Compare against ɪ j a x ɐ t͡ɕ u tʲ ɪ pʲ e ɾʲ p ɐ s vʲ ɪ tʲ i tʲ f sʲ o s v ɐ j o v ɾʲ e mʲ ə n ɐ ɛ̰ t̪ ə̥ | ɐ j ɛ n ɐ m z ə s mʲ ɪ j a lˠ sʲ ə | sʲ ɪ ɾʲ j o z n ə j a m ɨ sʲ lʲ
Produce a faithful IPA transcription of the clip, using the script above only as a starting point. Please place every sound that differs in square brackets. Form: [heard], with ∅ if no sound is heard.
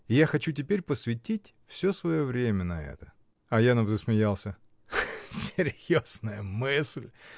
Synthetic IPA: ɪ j a x ɐ t͡ɕ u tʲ ɪ pʲ e ɾʲ p [ə] s vʲ ɪ tʲ i tʲ f sʲ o s v ɐ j o v ɾʲ e mʲ ə n ɐ ɛ̰ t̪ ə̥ | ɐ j [a] n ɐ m z ə s mʲ ɪ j a lˠ sʲ ə | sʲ ɪ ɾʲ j o z n ə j [ə] m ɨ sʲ lʲ